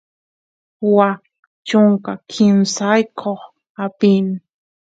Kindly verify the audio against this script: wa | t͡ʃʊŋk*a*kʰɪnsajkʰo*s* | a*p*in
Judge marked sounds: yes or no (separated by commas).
yes, no, yes